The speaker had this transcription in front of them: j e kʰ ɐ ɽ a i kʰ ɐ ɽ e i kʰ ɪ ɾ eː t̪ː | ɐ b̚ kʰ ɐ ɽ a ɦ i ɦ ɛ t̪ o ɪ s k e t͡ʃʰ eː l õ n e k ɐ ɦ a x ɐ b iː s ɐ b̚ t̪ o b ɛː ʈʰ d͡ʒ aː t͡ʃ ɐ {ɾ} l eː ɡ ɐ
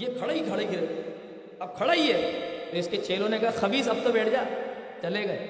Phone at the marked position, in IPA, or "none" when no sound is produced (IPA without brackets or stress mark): none